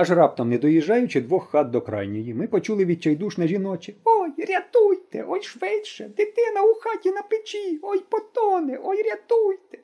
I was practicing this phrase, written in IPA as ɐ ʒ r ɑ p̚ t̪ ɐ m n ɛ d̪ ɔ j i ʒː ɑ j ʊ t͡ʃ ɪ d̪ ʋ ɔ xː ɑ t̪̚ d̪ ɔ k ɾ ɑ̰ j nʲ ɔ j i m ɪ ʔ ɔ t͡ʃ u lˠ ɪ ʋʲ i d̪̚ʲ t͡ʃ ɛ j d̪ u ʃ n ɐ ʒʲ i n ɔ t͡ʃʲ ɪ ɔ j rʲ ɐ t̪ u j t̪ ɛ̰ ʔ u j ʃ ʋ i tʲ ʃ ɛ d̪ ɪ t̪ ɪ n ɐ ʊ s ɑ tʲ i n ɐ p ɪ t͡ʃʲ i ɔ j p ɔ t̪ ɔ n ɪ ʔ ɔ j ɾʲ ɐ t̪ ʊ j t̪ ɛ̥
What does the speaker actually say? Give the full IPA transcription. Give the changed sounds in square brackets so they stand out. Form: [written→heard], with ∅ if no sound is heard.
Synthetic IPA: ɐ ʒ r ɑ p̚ t̪ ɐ m n ɛ d̪ ɔ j i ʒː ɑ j ʊ t͡ʃ ɪ d̪ ʋ ɔ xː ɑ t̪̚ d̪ ɔ k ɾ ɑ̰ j nʲ ɔ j i m ɪ [ʔ→p] ɔ t͡ʃ u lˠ ɪ ʋʲ i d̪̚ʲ t͡ʃ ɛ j d̪ u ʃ n ɐ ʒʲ i n ɔ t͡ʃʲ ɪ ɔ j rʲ ɐ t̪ u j t̪ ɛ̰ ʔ [u→ɔ] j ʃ ʋ [i→ɪ] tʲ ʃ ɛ d̪ ɪ t̪ ɪ n ɐ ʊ [s→x] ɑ tʲ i n ɐ p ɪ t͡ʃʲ i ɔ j p ɔ t̪ ɔ n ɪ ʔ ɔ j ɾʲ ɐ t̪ [ʊ→u] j t̪ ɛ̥